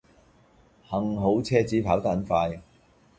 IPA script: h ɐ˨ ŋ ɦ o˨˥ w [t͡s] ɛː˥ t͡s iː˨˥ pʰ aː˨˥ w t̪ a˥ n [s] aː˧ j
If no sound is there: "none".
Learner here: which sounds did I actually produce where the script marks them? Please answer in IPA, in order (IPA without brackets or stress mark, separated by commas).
t͡sʰ, f